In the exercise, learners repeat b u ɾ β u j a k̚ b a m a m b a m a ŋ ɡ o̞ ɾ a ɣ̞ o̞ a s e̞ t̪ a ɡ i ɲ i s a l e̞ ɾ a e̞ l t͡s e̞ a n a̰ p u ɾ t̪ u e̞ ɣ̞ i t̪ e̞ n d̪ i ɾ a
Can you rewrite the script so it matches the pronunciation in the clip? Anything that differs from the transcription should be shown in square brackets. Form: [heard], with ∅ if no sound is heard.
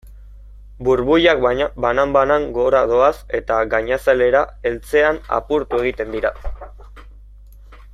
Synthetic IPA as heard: b u ɾ β u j a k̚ b a [n] a m b a [n] a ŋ ɡ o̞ ɾ a [ð̞] o̞ a s e̞ t̪ a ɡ [a] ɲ [a] s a l e̞ ɾ a e̞ l t͡s e̞ a n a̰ p u ɾ t̪ u e̞ ɣ̞ i t̪ e̞ n d̪ i ɾ a